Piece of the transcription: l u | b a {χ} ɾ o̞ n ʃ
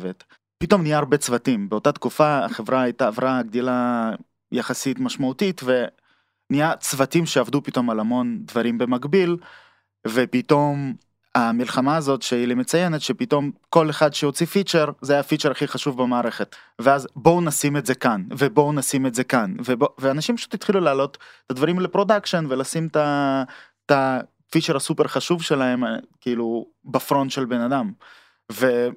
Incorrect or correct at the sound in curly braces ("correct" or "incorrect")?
incorrect